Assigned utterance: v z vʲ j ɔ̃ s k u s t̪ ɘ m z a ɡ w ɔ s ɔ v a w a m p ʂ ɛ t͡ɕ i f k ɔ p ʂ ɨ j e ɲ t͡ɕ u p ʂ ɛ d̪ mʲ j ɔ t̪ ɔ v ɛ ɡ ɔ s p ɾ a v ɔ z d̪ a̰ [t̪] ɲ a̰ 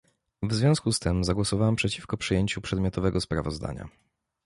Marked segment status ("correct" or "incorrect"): incorrect